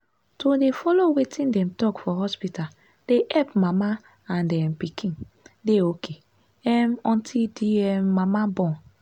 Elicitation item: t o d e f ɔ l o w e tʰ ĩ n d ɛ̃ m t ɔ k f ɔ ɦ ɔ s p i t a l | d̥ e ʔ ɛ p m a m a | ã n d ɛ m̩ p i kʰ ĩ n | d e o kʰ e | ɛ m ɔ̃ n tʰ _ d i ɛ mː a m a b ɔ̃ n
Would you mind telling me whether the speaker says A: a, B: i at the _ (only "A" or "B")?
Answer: B